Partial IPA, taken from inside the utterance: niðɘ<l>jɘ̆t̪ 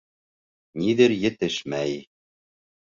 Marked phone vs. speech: incorrect: ɾ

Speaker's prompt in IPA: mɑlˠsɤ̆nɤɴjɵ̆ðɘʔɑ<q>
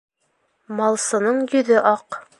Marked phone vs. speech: correct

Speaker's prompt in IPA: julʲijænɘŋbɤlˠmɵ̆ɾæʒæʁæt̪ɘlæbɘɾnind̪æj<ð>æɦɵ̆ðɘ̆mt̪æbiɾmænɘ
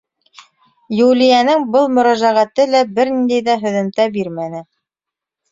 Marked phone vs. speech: correct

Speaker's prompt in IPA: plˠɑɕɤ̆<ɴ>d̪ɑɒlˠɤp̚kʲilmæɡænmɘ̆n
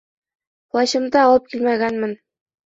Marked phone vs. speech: incorrect: m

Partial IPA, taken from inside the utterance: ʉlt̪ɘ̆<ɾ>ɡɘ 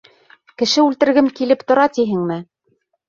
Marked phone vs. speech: correct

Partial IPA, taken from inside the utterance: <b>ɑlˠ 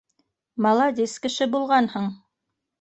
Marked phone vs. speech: incorrect: m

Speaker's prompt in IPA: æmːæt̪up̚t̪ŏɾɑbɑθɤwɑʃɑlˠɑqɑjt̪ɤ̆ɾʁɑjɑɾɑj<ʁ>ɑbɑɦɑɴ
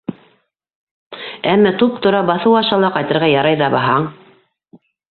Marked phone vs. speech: incorrect: ð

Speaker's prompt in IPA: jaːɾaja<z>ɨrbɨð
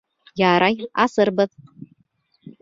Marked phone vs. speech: incorrect: s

